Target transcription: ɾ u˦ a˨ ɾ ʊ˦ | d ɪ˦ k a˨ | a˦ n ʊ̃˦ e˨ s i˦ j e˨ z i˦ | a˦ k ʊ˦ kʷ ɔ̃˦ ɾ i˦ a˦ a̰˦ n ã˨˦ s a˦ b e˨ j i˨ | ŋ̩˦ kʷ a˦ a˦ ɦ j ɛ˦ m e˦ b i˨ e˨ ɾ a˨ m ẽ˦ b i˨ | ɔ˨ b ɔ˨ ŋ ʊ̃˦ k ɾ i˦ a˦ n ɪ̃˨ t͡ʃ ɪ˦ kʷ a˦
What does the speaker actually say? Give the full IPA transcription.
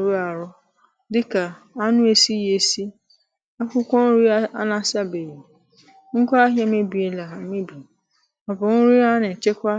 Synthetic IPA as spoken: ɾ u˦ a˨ ɾ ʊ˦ | d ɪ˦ k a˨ | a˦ n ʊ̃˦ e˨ s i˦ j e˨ s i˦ | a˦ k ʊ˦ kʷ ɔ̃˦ ɾ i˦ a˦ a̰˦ n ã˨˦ s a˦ b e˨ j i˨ | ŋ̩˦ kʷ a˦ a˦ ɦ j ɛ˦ m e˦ b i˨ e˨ l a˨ m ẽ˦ b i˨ | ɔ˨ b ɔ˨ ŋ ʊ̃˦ ɾ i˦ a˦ n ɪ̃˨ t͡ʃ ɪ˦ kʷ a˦